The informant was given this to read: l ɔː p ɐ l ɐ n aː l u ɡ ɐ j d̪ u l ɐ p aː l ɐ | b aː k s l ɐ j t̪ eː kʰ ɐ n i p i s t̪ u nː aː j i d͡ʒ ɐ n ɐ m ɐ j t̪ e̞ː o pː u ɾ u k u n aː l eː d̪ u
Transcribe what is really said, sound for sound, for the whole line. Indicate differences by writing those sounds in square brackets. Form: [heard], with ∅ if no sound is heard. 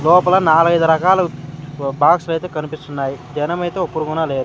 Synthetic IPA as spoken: l ɔː p ɐ l ɐ n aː l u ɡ ɐ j d̪ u [ɾ] ɐ [k] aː l ɐ | b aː k s l ɐ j t̪ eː [k] ɐ n i p i s t̪ u nː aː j i d͡ʒ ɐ n ɐ m ɐ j t̪ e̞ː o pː u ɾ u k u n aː l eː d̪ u